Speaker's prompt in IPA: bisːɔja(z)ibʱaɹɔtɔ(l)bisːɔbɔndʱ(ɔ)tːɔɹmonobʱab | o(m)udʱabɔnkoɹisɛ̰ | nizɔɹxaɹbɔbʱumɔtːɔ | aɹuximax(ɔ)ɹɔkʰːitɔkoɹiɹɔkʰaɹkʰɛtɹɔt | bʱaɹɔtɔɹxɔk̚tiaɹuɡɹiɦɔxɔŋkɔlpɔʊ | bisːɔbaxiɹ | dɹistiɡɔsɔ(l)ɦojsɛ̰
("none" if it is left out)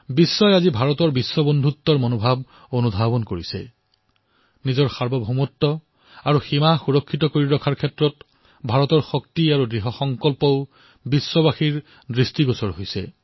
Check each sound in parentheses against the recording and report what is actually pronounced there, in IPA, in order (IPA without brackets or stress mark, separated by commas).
z, ɹ, u, n, u, ɹ